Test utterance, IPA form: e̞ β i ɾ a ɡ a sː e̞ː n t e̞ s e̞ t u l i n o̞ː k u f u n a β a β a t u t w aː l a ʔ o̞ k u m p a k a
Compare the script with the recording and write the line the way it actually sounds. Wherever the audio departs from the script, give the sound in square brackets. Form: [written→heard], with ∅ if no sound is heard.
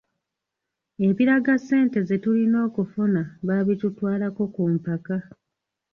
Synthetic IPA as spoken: e̞ β i ɾ a ɡ a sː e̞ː n t e̞ [s→z] e̞ t u l i n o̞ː k u f u n a β a β [a→i] t u t w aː l a [ʔ→k] o̞ k u m p a k a

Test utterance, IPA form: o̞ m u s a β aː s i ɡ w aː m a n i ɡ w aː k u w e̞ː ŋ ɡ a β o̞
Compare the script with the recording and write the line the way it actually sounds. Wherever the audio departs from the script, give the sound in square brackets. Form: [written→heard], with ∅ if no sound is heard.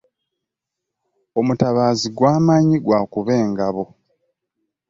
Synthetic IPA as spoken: o̞ m u [s→t] a β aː [s→z] i ɡ w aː m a [n→ɲ] i ɡ w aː k u [w→β] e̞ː ŋ ɡ a β o̞

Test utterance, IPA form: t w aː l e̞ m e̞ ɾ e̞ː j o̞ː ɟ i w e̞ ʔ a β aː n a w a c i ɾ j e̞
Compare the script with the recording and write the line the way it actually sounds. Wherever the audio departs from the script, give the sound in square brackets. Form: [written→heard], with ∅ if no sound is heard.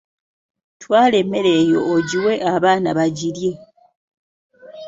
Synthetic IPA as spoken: t w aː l e̞ m e̞ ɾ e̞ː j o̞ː ɟ i w e̞ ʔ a β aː n a [w→β] a [c→ɟ] i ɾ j e̞

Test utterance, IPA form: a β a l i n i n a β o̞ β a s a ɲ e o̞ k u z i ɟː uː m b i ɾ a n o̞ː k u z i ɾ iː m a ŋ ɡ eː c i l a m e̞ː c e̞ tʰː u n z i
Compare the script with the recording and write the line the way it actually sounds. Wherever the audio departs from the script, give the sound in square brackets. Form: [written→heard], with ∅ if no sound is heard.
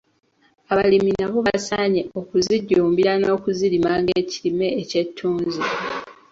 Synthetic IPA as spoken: a β a l i [n→m] i n a β o̞ β a s a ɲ e o̞ k u z i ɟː uː m b i ɾ a n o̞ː k u z i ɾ [iː→i] m a ŋ ɡ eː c i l [a→i] m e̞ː c e̞ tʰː [u→uː] n z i

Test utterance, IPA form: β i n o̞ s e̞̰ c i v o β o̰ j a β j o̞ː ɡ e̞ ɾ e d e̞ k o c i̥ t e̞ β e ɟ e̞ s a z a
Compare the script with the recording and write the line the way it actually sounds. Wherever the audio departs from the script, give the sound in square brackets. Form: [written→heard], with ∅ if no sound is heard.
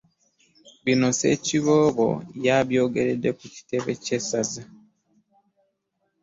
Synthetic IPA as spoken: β i n o̞ s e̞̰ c i [v→β] o β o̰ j a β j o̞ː ɡ e̞ ɾ e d e̞ k [o→u] c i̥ t e̞ β e [ɟ→c] e̞ s a z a

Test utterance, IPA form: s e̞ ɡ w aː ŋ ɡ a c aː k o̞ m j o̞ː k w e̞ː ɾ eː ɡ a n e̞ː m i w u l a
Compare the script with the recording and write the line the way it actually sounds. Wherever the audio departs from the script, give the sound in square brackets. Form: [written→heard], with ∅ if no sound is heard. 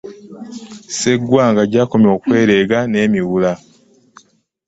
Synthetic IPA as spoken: s e̞ ɡ w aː ŋ ɡ a [c→ɟ] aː k o̞ m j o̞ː k w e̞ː ɾ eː ɡ a n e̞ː m i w u l a

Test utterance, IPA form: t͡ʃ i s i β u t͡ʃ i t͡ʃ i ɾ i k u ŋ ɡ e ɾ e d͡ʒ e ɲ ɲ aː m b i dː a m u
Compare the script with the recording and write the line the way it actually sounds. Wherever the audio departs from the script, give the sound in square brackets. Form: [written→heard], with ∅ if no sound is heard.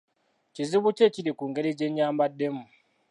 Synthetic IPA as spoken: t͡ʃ i [s→z] i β u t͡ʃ [i→e] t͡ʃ i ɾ i k u ŋ ɡ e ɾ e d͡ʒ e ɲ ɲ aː m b [i→a] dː [a→e] m u

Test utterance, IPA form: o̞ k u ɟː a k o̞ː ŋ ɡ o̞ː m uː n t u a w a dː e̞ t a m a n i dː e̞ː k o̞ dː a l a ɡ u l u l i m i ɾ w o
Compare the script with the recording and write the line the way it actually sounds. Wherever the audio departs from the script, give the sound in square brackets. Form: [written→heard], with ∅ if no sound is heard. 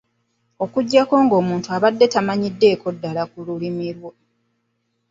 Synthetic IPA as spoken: o̞ k u ɟː a k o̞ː ŋ ɡ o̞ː m uː n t u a [w→β] a dː e̞ t a m a [n→ɲ] i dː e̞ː k o̞ dː a l a [ɡ→k] u l u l i m i ɾ w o

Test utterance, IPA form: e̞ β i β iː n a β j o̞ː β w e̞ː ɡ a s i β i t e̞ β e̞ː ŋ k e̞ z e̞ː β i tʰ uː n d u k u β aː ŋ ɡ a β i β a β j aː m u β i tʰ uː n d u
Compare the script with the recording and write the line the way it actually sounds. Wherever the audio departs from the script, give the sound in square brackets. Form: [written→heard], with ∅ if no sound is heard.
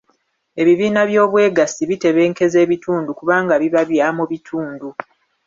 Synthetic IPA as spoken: e̞ β i β iː n a β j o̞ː β w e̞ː ɡ a s i β i t e̞ β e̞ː ŋ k e̞ z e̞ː β i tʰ uː n d u k u β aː ŋ ɡ a β i β a β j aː m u β i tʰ uː n d u

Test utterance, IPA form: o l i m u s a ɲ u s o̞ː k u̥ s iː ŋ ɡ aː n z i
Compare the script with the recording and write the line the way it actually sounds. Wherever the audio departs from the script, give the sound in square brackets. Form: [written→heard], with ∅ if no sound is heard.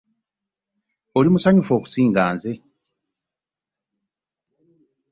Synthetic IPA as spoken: o l i m u s a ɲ u [s→f] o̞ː k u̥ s iː ŋ ɡ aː n z [i→e]

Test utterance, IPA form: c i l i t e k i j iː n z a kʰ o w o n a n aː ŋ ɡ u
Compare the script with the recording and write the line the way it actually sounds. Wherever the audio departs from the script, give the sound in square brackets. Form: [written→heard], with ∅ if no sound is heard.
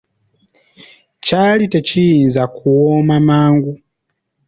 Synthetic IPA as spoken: c [i→a] l i t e [k→c] i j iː n z a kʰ [o→u] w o [n→m] a [n→m] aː ŋ ɡ u

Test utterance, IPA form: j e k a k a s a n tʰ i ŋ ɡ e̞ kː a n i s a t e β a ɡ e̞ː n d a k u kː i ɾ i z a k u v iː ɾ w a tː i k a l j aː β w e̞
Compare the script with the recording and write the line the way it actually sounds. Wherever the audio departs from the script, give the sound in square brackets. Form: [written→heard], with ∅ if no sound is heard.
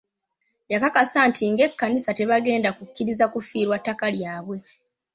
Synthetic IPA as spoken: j [e→a] k a k a s a n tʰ i ŋ ɡ e̞ kː a n i s a t e β a ɡ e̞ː n d a k u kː i ɾ i z a k u [v→f] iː ɾ w a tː [i→a] k a l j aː β w e̞

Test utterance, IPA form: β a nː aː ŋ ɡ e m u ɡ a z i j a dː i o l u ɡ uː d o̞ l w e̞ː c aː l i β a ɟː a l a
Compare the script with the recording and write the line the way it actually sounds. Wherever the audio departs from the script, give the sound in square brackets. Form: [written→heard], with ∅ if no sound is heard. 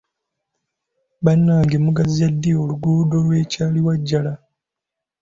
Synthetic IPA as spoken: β a nː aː ŋ ɡ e m u ɡ a z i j a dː i o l u ɡ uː d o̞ l w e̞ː c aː l i [β→w] a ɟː a l a

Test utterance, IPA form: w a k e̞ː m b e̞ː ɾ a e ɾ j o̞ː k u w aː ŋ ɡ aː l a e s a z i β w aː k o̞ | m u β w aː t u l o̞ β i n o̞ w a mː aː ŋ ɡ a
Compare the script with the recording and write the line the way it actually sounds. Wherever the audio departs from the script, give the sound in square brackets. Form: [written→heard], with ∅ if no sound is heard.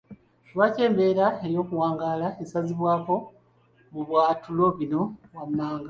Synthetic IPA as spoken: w a [k→c] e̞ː m b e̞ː ɾ a e ɾ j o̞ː k u w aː ŋ ɡ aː l a e s a z i β w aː k o̞ | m u β w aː t u l o̞ β i n o̞ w a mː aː ŋ ɡ a

